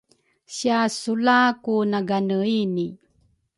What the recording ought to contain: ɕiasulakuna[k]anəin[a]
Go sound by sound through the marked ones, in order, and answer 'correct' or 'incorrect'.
incorrect, incorrect

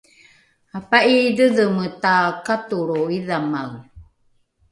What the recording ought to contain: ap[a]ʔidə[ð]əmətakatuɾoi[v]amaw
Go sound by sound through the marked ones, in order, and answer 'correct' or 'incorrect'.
correct, correct, incorrect

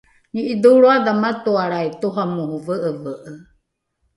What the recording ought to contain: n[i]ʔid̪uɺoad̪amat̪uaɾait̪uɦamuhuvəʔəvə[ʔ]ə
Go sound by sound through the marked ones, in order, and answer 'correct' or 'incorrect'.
correct, correct

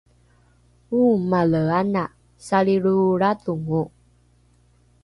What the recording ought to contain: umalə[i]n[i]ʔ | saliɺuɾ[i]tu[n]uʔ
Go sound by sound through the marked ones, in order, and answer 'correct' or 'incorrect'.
incorrect, incorrect, incorrect, incorrect

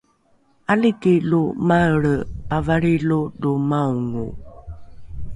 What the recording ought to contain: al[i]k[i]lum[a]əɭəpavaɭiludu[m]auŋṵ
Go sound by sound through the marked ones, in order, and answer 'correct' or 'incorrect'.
correct, correct, correct, correct

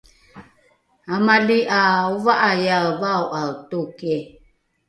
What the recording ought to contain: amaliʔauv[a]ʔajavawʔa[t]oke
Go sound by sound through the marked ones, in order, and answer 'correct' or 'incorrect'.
correct, correct

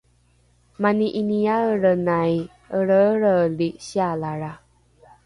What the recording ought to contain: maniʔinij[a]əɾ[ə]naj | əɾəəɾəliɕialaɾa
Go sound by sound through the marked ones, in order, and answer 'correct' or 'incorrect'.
correct, correct

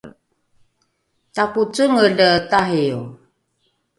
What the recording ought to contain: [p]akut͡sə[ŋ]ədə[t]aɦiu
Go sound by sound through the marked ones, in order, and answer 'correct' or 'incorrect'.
incorrect, correct, correct

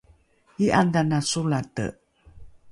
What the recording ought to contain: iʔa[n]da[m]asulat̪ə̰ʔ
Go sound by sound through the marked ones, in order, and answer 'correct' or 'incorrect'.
correct, incorrect

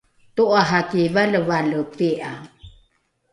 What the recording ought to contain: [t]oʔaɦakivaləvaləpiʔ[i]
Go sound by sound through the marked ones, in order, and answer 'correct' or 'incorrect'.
correct, incorrect

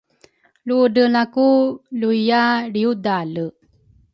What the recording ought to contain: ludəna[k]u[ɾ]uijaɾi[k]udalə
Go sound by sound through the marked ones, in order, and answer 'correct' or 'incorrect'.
correct, incorrect, incorrect

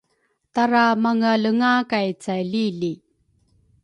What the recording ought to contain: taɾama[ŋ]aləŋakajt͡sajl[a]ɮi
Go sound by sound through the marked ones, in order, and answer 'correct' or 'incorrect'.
correct, incorrect

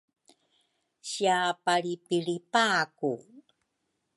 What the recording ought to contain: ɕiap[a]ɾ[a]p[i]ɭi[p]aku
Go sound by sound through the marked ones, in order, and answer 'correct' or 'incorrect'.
correct, incorrect, correct, correct

